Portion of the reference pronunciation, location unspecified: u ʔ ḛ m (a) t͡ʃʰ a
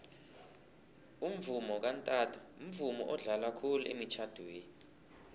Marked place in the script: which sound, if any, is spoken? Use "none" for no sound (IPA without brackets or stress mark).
i